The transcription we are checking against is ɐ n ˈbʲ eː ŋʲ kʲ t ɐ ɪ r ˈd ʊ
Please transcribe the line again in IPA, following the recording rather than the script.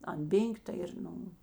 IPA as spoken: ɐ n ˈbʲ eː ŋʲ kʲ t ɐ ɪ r ˈn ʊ